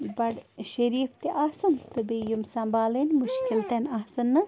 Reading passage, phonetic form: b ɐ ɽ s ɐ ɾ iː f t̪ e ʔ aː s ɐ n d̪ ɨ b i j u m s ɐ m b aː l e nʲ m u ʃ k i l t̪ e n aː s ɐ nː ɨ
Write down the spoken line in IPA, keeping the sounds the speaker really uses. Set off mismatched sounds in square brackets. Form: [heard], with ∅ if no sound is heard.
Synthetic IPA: b ɐ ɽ [ʃ] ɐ ɾ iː f t̪ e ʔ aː s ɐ n [t̪] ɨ b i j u m s ɐ m b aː l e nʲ m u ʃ k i l t̪ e n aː s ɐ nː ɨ